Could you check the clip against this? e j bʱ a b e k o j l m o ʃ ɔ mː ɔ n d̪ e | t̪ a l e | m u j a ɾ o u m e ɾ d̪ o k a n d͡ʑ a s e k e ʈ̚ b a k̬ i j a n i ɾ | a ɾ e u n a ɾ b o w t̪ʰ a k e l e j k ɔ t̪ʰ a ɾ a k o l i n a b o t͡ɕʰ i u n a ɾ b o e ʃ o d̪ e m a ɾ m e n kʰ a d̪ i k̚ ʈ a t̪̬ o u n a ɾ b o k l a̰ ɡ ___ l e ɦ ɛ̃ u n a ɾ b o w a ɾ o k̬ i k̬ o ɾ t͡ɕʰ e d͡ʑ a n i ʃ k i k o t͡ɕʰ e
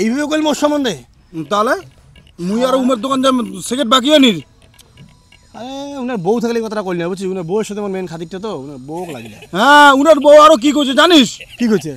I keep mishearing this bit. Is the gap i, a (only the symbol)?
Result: i